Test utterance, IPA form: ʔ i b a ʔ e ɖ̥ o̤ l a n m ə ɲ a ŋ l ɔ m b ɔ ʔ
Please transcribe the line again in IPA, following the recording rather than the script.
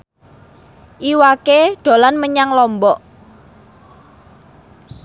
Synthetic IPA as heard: ʔ i w a k e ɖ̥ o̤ l a n m ə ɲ a ŋ l ɔ m b ɔ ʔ

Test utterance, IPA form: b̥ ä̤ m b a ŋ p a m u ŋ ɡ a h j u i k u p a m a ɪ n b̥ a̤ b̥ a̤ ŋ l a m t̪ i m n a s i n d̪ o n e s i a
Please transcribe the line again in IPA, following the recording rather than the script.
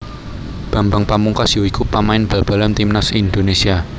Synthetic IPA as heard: b̥ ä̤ m b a ŋ p a m u ŋ k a s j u i k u p a m a ɪ n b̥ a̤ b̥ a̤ l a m t̪ i m n a s i n d̪ o n e s i a

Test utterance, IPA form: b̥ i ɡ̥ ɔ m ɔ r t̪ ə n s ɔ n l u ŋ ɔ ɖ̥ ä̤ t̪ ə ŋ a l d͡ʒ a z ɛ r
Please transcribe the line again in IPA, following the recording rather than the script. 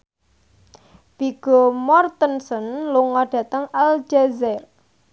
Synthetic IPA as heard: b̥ i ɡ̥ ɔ m ɔ r t̪ ə n s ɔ n l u ŋ ɔ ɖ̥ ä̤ t̪ ə ŋ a l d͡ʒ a z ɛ r

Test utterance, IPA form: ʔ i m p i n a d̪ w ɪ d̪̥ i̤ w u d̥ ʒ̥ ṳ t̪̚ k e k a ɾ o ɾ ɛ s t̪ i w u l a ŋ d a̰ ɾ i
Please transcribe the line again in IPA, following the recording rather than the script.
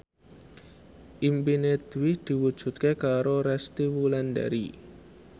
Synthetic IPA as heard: ʔ i m p i n e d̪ w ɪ d̪̥ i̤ w u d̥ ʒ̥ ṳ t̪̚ k e k a ɾ o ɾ ɛ s t̪ i w u l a n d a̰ ɾ i

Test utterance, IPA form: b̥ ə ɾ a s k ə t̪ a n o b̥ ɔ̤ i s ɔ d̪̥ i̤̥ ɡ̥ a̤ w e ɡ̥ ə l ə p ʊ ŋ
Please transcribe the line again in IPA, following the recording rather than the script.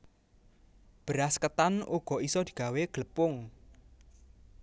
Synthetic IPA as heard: b̥ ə ɾ a s k ə t̪ a n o ɡ̥ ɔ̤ i s ɔ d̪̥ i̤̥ ɡ̥ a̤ w e ɡ̥ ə l ə p ʊ ŋ

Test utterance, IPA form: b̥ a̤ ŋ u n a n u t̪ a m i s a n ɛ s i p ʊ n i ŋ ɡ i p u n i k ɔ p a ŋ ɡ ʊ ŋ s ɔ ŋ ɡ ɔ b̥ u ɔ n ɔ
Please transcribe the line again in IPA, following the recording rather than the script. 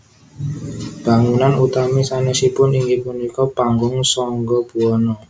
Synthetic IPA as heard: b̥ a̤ ŋ u n a n u t̪ a m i s a n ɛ s i p ʊ n i ŋ ɡ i p u n i k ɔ p a ŋ ɡ ʊ ŋ s ɔ ŋ ɡ ɔ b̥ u ɔ n ɔ

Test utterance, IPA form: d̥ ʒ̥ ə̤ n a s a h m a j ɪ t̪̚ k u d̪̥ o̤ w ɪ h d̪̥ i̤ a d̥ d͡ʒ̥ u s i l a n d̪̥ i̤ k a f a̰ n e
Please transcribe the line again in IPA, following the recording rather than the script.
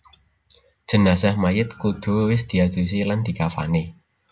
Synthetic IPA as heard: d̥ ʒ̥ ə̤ n a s a h m a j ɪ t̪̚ k u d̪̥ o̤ w ɪ s d̪̥ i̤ a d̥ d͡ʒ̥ u s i l a n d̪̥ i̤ k a f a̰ n e

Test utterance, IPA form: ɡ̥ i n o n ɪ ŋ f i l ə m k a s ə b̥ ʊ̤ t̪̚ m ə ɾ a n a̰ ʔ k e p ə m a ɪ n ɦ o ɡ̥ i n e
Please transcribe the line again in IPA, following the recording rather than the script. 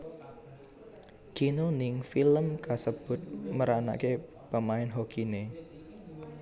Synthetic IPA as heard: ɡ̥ i n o n ɪ ŋ f i l ə m k a s ə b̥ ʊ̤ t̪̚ m ə ɾ a n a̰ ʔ k e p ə m a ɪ n ɦ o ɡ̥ i n e

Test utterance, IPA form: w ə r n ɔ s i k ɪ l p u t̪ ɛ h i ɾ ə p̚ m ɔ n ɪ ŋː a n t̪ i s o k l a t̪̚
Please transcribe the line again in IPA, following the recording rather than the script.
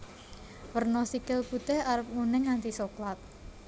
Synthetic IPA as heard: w ə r n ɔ s i k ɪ l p u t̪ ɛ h a ɾ ə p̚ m u n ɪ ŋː a n t̪ i s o k l a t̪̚

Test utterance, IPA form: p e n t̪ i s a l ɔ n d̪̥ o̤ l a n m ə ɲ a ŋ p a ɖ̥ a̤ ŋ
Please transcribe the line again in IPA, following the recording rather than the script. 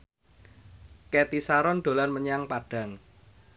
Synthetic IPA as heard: k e t̪ i s a ɾ ɔ n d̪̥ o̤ l a n m ə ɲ a ŋ p a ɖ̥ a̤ ŋ

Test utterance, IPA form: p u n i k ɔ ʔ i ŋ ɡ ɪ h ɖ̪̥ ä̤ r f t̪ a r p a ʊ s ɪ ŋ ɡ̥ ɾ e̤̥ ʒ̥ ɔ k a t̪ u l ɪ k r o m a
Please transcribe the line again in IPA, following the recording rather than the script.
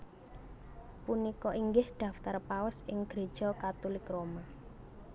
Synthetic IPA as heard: p u n i k ɔ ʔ i ŋ ɡ ɪ h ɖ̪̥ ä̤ f t̪ a r p a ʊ s ɪ ŋ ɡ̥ ɾ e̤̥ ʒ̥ ɔ k a t̪ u l ɪ k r o m a

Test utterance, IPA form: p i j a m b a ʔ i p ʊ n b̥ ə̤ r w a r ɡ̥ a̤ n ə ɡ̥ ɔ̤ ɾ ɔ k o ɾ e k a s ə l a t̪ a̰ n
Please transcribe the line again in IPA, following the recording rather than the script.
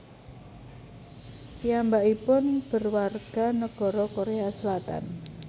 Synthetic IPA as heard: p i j a m b a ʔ i p ʊ n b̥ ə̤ r w a r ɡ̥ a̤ n ə ɡ̥ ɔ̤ ɾ ɔ k o ɾ e a s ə l a t̪ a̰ n

